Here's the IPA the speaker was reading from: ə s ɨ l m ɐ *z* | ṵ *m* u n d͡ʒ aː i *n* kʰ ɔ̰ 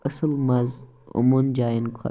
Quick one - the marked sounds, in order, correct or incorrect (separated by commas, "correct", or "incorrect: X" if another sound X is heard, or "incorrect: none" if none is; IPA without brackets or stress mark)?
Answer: correct, correct, correct